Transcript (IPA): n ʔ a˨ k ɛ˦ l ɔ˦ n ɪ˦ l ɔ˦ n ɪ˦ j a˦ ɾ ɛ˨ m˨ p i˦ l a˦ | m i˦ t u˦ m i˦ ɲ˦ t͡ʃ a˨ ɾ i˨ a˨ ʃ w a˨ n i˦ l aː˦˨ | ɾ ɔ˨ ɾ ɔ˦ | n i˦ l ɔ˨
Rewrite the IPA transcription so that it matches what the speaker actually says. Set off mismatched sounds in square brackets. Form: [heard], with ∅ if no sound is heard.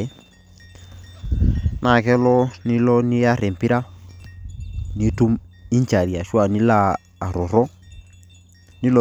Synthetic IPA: n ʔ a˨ k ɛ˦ l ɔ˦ n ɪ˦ l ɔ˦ n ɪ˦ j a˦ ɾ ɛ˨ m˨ p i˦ [ɾ] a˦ | [n] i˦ t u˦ m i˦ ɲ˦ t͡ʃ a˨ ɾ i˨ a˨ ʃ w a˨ n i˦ l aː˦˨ | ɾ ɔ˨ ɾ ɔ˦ | n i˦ l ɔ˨

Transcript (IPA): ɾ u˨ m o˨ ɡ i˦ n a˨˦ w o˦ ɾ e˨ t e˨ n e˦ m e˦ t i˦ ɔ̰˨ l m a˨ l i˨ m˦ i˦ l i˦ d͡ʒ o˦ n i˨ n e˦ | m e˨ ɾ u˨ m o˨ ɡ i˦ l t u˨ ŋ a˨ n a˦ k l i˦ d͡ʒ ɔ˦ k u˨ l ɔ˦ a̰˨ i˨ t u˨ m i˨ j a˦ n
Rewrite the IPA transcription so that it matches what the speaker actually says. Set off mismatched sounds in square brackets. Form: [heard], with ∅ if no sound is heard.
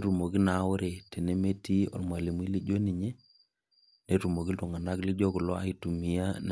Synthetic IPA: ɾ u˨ m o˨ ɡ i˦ n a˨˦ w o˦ ɾ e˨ t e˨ n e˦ m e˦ t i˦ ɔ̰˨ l m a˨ l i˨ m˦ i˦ l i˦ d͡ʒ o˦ n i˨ [ɲ] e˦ | [n] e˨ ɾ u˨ m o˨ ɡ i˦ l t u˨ ŋ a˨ n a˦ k l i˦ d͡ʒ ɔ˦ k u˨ l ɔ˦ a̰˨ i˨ t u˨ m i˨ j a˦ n

